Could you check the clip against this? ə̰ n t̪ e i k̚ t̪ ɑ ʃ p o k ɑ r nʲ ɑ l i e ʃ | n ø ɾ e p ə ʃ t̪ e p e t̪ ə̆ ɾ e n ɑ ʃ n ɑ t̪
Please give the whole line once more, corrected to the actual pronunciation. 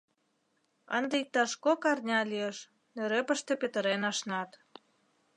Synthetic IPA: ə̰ n d̪ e i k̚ t̪ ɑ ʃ k o k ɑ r nʲ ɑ l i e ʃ | n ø ɾ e p ə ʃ t̪ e p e t̪ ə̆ ɾ e n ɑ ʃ n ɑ t̪